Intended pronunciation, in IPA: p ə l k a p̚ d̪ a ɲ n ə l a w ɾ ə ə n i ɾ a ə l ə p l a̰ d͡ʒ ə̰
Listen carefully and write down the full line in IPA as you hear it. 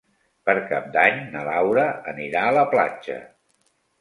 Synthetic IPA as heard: p ə ɾ k a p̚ d̪ a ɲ n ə l a w ɾ ə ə n i ɾ a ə l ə p l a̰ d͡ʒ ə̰